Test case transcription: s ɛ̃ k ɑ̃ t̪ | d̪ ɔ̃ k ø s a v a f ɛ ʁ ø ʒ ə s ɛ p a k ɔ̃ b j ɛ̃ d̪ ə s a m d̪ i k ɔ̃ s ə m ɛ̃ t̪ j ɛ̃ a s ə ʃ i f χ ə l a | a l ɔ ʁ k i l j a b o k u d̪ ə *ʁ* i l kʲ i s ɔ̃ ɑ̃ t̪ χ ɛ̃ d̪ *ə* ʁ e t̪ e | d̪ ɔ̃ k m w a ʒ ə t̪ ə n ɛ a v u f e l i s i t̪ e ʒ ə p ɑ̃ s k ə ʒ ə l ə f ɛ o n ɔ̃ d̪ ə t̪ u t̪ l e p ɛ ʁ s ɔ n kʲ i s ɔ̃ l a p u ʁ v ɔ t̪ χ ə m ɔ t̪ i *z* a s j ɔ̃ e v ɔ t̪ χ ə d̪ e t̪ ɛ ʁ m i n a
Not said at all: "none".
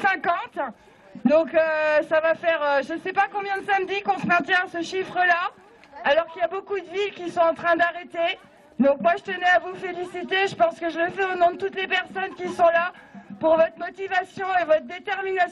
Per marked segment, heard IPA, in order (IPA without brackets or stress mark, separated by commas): v, a, v